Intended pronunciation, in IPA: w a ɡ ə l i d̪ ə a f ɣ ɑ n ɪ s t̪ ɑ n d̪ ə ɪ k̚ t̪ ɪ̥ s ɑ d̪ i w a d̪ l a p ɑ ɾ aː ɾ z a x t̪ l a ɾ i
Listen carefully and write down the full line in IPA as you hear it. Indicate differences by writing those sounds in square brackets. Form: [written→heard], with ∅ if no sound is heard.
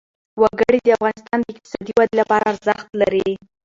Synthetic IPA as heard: w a ɡ ə [l→ɽ] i d̪ ə a f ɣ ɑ n ɪ s t̪ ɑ n d̪ ə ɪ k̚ t̪ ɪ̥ s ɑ d̪ i w a d̪ l a p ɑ ɾ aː ɾ z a x t̪ l a ɾ i